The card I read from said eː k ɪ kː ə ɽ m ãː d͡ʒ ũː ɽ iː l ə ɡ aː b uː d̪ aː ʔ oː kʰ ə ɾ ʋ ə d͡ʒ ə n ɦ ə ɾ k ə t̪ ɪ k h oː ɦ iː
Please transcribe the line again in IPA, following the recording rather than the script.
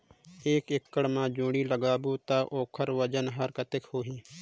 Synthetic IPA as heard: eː k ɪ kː ə ɽ m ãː d͡ʒ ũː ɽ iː l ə ɡ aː b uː t̪ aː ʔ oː kʰ ə ɾ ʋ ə d͡ʒ ə n ɦ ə ɾ k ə t̪ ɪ k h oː ɦ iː